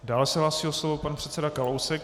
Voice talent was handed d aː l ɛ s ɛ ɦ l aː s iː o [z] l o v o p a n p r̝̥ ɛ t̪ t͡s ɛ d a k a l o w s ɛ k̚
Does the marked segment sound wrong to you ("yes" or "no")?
yes